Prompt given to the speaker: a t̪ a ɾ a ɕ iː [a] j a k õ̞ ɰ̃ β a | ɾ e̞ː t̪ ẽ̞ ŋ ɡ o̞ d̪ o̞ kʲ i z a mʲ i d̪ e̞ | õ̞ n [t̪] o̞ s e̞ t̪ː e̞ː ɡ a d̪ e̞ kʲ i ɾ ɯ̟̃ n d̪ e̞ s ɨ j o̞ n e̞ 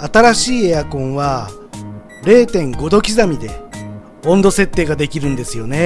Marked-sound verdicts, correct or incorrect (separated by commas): incorrect, incorrect